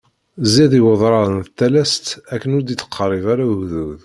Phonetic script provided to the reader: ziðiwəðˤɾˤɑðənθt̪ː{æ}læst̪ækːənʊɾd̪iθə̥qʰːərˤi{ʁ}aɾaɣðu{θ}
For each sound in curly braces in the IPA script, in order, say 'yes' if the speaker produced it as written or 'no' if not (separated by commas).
yes, no, no